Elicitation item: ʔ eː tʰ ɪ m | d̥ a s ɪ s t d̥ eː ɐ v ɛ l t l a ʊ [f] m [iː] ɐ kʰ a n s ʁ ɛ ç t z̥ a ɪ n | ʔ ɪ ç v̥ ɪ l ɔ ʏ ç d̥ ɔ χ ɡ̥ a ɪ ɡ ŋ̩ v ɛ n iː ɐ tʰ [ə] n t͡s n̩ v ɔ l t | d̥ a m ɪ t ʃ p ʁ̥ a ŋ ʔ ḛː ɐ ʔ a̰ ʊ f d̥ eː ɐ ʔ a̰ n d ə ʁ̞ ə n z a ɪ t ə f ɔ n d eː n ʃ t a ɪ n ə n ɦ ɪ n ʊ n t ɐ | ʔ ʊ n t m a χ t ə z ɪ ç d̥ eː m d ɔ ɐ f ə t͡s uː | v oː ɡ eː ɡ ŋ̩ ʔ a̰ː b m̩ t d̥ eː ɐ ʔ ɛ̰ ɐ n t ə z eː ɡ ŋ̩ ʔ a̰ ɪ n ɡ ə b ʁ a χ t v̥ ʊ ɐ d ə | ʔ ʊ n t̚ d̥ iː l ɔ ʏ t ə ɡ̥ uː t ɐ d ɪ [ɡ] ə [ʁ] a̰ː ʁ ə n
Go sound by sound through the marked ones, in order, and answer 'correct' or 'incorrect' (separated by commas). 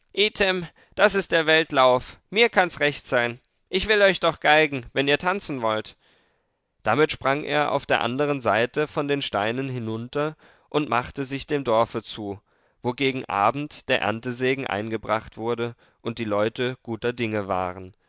correct, correct, incorrect, incorrect, incorrect